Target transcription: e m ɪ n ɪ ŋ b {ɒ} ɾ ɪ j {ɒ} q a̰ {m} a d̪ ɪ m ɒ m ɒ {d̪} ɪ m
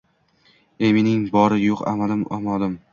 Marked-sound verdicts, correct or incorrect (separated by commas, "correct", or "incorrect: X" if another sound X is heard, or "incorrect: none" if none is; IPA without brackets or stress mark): correct, incorrect: o, correct, correct